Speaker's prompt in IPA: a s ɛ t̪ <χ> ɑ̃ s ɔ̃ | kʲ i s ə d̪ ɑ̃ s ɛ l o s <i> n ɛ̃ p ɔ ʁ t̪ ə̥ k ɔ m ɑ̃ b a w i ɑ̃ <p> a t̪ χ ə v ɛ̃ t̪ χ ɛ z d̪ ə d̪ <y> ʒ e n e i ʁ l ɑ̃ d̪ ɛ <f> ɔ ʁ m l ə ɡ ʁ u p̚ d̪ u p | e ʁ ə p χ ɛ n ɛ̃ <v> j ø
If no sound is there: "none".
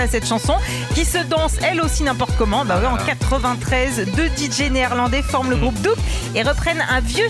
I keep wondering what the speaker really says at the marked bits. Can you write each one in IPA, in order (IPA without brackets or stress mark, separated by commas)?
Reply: ʃ, i, k, i, f, v